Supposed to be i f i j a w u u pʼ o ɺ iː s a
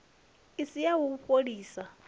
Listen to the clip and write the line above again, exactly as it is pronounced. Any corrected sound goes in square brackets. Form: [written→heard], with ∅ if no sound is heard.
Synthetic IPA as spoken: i [f→s] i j a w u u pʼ o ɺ iː s a